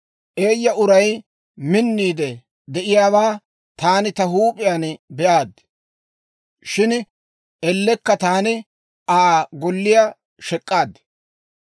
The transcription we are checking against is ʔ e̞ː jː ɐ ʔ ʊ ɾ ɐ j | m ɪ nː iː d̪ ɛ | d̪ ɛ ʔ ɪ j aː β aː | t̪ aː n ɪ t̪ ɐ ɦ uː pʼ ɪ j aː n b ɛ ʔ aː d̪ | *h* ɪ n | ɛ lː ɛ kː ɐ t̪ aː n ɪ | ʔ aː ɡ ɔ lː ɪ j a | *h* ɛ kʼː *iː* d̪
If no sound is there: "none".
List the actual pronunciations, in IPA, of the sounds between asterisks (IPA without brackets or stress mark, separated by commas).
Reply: ʃ, ʃ, aː